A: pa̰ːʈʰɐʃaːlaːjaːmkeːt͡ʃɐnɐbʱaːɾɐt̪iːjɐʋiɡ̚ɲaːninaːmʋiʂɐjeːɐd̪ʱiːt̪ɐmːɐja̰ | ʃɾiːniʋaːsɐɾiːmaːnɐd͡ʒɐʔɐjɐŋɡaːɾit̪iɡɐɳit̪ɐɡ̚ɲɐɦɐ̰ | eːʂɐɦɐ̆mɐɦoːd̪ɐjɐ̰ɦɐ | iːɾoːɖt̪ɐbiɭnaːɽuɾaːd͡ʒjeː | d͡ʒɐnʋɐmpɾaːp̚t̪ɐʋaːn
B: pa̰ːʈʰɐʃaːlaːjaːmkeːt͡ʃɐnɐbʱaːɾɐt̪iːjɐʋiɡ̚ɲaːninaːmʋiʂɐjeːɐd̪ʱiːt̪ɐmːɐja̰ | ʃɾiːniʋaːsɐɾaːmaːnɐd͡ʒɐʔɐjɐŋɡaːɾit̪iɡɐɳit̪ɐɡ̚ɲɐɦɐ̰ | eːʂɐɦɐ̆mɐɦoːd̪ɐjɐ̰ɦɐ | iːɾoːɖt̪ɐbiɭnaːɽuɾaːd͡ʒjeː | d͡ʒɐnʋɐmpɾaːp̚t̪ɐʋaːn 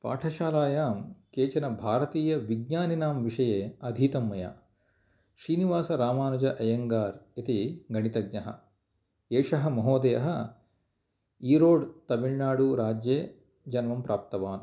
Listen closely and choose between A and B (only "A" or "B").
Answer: B